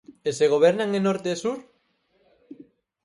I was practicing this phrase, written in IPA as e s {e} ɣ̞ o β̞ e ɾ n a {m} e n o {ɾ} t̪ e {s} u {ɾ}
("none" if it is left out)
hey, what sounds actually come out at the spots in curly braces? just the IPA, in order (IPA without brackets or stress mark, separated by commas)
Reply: e, ŋ, ɾ, s, ɾ